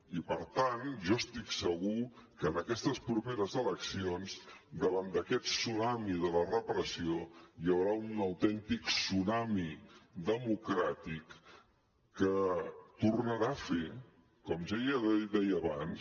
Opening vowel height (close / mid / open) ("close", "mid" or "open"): close